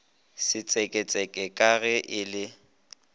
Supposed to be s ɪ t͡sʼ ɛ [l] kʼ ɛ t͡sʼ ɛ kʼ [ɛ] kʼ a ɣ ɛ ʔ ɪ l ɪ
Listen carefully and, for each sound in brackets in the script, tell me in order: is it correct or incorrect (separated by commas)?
incorrect, correct